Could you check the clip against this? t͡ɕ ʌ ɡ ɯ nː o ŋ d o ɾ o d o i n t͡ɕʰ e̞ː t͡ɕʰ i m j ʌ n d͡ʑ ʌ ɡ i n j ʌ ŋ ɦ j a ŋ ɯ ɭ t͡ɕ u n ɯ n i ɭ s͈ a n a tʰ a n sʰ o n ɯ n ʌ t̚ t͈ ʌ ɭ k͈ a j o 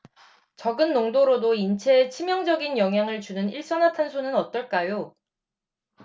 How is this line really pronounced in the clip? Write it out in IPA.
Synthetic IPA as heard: t͡ɕ ʌ ɡ ɯ nː o ŋ d o ɾ o d o i n t͡ɕʰ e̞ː t͡ɕʰ i m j ʌ ŋ d͡ʑ ʌ ɡ i n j ʌ ŋ ɦ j a ŋ ɯ ɭ t͡ɕ u n ɯ n i ɭ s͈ ʌ n a tʰ a n sʰ o n ɯ n ʌ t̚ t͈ ʌ ɭ k͈ a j o

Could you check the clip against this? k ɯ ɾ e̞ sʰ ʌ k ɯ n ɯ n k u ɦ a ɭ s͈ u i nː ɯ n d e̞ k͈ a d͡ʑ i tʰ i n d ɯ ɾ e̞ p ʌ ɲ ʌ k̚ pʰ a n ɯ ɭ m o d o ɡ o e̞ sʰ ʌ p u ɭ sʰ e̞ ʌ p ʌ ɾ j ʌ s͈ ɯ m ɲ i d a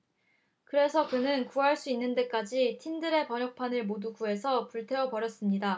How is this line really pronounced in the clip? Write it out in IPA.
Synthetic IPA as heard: k ɯ ɾ e̞ sʰ ʌ k ɯ n ɯ n k u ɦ a ɭ s͈ u i nː ɯ n d e̞ k͈ a d͡ʑ i tʰ i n d ɯ ɾ e̞ p ʌ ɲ ʌ k̚ pʰ a n ɯ ɭ m o d u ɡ u e̞ sʰ ʌ p u ɭ tʰ e̞ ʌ p ʌ ɾ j ʌ s͈ ɯ m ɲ i d a

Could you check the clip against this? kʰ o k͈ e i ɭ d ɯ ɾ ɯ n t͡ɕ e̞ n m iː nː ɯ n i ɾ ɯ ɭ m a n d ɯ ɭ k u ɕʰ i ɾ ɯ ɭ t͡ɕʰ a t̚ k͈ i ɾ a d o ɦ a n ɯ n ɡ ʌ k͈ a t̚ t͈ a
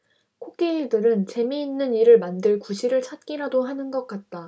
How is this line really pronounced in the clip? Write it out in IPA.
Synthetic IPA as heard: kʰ o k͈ e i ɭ d ɯ ɾ ɯ n t͡ɕ e̞ m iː nː ɯ n i ɾ ɯ ɭ m a n d ɯ ɭ k u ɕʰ i ɾ ɯ ɭ t͡ɕʰ a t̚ k͈ i ɾ a d o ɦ a n ɯ n ɡ ʌ k͈ a t̚ t͈ a

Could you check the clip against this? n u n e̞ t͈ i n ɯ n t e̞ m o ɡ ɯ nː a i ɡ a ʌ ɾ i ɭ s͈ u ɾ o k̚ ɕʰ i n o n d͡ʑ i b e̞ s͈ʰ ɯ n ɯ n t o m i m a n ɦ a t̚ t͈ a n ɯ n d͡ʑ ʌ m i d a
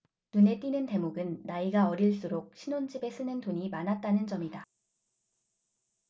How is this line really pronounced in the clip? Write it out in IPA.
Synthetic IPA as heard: n u n e̞ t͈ i n ɯ n t e̞ m o ɡ ɯ nː a i ɡ a ʌ ɾ i ɭ s͈ u ɾ o k̚ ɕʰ i n o n d͡ʑ i b e̞ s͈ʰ ɯ n ɯ n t o ɲ i m a n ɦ a t̚ t͈ a n ɯ n d͡ʑ ʌ m i d a

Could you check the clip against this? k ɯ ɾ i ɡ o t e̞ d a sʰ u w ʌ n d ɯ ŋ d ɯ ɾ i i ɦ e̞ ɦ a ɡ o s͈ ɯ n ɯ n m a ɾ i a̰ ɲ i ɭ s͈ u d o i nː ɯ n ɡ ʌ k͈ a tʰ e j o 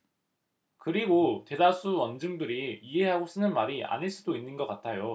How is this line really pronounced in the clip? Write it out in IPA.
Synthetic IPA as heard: k ɯ ɾ i ɡ o t e̞ d a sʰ u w ʌ n d͡ʑ ɯ ŋ d ɯ ɾ i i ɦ e̞ ɦ a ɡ o s͈ ɯ n ɯ n m a ɾ i a̰ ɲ i ɭ s͈ u d o i nː ɯ n ɡ ʌ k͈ a tʰ a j o

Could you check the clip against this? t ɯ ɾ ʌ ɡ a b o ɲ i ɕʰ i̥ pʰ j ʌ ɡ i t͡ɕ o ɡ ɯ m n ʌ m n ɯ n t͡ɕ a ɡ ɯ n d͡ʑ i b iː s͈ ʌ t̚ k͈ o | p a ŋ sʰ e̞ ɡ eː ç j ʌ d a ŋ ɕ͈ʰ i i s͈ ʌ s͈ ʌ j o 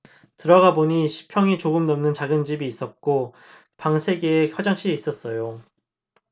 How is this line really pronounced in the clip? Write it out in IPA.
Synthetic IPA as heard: t ɯ ɾ ʌ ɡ a b o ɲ i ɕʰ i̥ pʰ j ʌ ŋ i t͡ɕ o ɡ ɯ m n ʌ m n ɯ n t͡ɕ a ɡ ɯ n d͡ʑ i b iː s͈ ʌ t̚ k͈ o | p a ŋ sʰ e̞ ɡ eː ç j ʌ d͡ʑ a ŋ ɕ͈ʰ i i s͈ ʌ s͈ ʌ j o

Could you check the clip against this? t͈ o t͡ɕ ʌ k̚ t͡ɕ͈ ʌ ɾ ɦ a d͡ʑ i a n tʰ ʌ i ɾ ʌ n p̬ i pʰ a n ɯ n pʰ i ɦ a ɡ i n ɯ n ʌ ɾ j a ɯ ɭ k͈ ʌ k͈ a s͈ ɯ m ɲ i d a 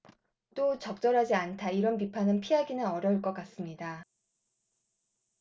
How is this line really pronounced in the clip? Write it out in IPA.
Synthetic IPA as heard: t͈ o t͡ɕ ʌ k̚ t͡ɕ͈ ʌ ɾ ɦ a d͡ʑ i a n tʰ a i ɾ ʌ n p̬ i pʰ a n ɯ n pʰ i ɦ a ɡ i n ɯ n ʌ ɾ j ʌ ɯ ɭ k͈ ʌ k͈ a s͈ ɯ m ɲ i d a

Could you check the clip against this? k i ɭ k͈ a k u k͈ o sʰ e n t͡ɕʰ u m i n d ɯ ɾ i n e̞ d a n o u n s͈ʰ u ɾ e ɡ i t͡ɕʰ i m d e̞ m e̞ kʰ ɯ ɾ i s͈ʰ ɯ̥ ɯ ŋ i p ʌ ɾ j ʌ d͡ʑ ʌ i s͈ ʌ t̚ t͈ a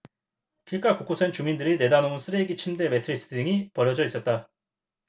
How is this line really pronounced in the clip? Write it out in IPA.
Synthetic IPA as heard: k i ɭ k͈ a k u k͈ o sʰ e n t͡ɕ u m i n d ɯ ɾ i n e̞ d a n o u n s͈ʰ ɯ ɾ e ɡ i t͡ɕʰ i m d e̞ m e̞ tʰ ɯ ɾ i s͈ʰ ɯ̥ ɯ ŋ i p ʌ ɾ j ʌ d͡ʑ ʌ i s͈ ʌ t̚ t͈ a

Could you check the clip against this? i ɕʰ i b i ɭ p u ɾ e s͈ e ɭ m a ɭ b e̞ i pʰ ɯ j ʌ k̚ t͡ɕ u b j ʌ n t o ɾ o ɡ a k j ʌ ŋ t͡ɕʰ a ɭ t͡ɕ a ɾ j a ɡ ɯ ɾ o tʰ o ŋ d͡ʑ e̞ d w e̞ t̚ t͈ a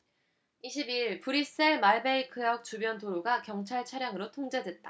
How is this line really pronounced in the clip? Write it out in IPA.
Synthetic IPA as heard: i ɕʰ i b i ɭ p u ɾ i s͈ e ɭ m a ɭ b e̞ i kʰ ɯ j ʌ k̚ t͡ɕ u b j ʌ n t o ɾ o ɡ a k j ʌ ŋ t͡ɕʰ a ɭ t͡ɕʰ a ɾ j a ŋ ɯ ɾ o tʰ o ŋ d͡ʑ e̞ d w e̞ t̚ t͈ a

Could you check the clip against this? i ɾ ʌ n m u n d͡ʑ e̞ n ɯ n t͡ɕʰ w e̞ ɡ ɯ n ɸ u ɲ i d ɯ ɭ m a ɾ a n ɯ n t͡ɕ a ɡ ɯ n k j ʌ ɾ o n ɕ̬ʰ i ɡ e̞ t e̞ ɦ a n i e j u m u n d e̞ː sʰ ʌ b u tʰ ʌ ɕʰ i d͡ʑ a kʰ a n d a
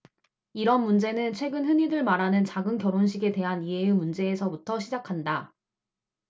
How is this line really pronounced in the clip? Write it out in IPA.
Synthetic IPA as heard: i ɾ ʌ n m u n d͡ʑ e̞ n ɯ n t͡ɕʰ w e̞ ɡ ɯ n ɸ ɯ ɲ i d ɯ ɭ m a ɾ a n ɯ n t͡ɕ a ɡ ɯ n k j ʌ ɾ o n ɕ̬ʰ i ɡ e̞ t e̞ ɦ a n i e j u m u n d͡ʑ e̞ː sʰ ʌ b u tʰ ʌ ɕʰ i d͡ʑ a kʰ a n d a

